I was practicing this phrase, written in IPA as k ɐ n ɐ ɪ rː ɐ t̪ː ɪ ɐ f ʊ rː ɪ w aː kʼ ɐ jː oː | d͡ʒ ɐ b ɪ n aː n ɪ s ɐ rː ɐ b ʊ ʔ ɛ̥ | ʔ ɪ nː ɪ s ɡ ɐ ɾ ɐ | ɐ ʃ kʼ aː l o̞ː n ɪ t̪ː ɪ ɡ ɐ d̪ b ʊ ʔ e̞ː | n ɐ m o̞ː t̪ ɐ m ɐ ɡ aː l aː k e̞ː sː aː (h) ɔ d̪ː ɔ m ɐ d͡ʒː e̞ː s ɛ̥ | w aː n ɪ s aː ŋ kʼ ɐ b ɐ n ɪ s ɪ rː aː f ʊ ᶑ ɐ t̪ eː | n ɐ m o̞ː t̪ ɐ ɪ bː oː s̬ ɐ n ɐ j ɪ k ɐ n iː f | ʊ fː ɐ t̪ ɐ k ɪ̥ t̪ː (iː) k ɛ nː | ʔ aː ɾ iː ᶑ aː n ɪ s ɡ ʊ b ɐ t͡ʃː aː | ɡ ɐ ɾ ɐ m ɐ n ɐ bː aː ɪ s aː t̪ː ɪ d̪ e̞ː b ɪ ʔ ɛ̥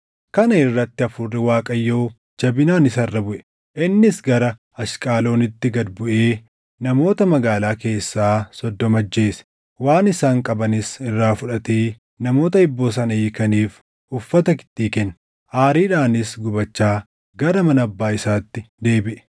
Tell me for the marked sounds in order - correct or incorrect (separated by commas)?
incorrect, correct